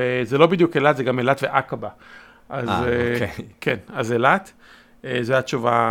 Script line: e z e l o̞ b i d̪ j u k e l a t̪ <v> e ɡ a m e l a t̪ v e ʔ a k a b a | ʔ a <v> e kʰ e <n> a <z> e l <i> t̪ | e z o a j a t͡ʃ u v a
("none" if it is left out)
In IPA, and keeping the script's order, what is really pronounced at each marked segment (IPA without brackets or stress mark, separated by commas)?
z, z, n, z, a